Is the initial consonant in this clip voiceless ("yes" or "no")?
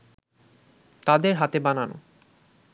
yes